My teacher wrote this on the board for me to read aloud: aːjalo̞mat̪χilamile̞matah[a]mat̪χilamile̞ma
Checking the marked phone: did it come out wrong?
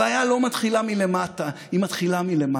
yes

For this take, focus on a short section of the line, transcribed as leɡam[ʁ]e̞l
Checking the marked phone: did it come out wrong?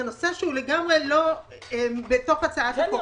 no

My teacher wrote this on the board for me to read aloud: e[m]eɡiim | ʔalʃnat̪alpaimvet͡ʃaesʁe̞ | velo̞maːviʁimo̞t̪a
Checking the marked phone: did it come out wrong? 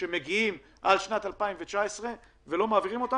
no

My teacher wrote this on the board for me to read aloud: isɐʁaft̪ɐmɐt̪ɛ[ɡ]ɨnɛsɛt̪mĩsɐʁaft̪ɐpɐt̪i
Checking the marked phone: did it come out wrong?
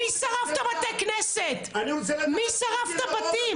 yes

